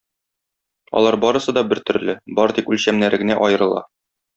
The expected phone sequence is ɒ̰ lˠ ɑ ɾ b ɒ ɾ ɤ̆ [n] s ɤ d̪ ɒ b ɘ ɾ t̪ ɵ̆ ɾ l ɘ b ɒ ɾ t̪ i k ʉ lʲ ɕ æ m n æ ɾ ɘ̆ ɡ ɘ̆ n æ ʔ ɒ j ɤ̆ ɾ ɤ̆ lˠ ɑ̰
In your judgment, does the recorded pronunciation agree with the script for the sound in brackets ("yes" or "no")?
no